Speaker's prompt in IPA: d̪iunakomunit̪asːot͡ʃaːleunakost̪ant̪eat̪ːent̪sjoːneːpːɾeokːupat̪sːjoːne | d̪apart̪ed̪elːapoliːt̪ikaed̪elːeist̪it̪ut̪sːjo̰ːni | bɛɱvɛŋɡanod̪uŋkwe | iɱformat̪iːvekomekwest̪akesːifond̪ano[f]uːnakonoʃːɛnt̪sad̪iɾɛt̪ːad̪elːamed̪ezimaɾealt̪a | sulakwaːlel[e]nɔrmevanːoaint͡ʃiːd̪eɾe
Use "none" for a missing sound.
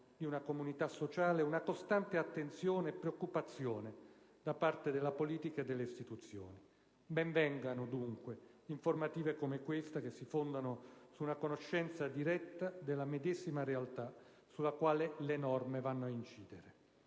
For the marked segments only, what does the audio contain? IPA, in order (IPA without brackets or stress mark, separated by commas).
s, e